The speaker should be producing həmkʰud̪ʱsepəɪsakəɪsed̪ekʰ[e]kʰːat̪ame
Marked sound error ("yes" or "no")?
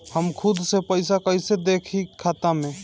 yes